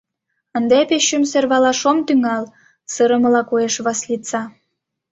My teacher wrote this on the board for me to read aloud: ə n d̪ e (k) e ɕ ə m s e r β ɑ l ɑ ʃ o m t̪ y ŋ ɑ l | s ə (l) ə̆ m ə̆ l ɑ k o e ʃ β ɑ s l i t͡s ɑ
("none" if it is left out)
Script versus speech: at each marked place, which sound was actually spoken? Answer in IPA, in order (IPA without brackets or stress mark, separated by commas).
p, ɾ